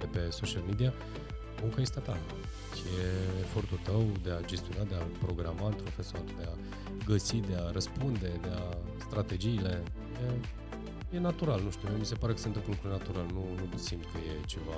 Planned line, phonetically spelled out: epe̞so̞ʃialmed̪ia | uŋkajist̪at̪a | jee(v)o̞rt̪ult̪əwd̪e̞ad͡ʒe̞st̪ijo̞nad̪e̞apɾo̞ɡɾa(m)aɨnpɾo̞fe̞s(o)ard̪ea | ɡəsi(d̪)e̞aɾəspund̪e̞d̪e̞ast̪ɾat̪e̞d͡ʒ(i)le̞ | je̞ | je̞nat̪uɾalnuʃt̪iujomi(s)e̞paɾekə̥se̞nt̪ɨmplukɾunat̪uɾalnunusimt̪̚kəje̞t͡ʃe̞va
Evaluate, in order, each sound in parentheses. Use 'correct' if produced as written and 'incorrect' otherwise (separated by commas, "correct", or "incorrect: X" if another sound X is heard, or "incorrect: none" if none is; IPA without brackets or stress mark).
incorrect: f, correct, correct, correct, incorrect: iː, correct